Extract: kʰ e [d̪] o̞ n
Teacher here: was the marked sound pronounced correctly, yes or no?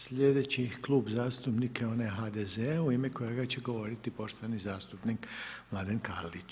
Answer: no